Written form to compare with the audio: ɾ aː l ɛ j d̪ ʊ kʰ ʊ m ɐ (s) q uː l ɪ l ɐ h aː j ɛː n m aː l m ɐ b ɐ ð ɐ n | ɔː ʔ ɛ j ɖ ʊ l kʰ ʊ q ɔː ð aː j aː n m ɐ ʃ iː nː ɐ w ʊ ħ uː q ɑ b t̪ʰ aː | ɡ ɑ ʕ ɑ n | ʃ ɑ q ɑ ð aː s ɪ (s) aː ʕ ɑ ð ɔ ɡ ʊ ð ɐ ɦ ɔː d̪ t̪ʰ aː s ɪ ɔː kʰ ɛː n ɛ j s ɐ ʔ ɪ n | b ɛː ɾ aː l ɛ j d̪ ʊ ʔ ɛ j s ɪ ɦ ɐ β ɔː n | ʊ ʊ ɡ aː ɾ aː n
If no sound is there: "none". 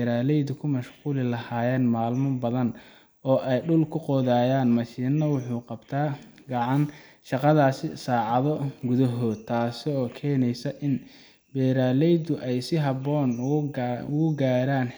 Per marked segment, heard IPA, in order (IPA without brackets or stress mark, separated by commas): ʃ, s